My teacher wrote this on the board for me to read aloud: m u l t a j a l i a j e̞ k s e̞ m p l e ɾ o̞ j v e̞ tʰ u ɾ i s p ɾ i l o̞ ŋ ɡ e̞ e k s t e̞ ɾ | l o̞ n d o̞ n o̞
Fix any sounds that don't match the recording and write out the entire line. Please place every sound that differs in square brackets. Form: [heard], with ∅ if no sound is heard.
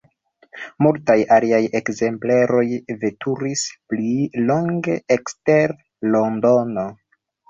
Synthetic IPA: m u l t a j a l i a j e̞ k [z] e̞ m p l e ɾ o̞ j v e̞ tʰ u ɾ i s p [l] i l o̞ ŋ ɡ e̞ e k s t e̞ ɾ | l o̞ n d o̞ n o̞